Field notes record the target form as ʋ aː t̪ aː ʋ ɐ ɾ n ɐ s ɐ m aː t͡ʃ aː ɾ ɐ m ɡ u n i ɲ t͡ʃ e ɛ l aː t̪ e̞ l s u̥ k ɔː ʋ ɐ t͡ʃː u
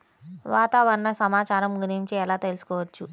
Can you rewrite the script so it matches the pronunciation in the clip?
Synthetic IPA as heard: ʋ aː t̪ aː ʋ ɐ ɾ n ɐ s ɐ m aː t͡ʃ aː ɾ ɐ m ɡ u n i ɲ t͡ʃ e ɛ l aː t̪ e̞ l s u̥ k ɔː ʋ ɐ t͡ʃː u